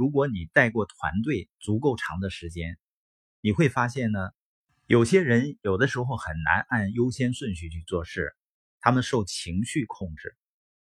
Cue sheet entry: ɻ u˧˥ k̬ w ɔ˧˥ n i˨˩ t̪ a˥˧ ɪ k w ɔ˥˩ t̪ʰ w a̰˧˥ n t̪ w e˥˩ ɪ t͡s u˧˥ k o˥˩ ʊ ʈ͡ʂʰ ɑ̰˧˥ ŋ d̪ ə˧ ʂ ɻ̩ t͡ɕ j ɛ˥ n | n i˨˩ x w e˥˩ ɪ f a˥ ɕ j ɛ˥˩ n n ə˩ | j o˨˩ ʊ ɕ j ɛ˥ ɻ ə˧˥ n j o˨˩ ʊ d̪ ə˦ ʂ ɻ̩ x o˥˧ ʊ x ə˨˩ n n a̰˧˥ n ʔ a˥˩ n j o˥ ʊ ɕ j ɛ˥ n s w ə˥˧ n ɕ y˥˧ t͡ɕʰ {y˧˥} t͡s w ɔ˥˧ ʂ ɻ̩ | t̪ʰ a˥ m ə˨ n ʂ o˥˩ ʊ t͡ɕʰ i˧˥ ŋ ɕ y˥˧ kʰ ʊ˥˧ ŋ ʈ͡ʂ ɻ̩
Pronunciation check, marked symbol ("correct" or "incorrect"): incorrect